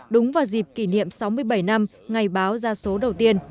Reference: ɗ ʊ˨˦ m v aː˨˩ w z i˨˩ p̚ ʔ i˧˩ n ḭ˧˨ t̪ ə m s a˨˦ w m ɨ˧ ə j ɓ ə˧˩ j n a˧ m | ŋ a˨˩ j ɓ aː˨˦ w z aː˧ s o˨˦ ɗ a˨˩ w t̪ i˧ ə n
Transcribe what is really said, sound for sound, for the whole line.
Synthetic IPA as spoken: ɗ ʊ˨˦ ŋ͡m v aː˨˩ w z i˨˩ p̚ k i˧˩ n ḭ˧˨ ə m s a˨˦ w m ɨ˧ ə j ɓ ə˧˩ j n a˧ m | ŋ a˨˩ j ɓ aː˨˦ w z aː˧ s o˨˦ ɗ ə˨˩ w t̪ i˧ ə n